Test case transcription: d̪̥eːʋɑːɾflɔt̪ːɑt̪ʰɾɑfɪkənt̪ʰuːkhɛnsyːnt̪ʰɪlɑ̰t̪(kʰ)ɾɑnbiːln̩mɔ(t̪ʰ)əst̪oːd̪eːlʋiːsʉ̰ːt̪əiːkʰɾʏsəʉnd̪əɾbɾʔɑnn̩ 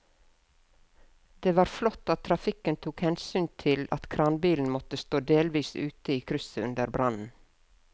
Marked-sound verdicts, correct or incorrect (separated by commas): correct, incorrect